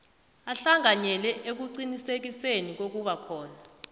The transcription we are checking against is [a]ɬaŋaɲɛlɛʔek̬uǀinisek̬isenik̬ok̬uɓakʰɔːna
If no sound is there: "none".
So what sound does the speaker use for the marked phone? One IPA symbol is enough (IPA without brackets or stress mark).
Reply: a